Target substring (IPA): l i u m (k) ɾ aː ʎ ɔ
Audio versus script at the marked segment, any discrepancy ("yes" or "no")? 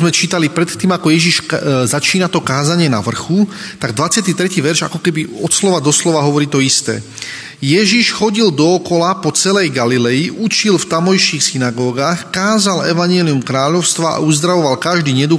no